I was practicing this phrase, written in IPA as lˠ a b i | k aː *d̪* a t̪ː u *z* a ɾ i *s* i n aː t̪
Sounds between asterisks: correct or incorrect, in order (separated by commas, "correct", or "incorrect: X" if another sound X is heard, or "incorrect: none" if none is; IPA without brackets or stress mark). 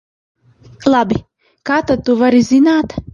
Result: incorrect: t̪, incorrect: v, incorrect: z